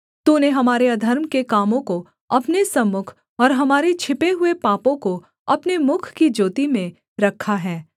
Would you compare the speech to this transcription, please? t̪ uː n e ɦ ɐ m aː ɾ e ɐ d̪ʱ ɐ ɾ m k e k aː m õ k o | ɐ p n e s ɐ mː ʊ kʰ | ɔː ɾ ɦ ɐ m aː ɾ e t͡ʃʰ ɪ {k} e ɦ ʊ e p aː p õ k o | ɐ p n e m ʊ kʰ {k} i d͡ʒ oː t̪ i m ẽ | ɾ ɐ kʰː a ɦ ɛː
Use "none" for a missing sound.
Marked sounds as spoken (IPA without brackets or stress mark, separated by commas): p, k